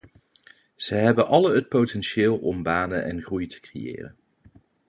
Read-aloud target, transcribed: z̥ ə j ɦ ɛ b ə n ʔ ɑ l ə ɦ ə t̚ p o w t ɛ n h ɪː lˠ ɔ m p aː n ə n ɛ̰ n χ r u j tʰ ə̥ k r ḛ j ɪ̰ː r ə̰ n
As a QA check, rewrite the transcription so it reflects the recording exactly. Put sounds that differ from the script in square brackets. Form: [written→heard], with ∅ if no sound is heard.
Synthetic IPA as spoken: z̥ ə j ɦ ɛ b ə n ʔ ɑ l ə ɦ ə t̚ p o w t ɛ n [h→ʃ] ɪː lˠ ɔ m [p→b] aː n ə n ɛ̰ n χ r u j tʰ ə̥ k r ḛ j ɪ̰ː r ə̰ n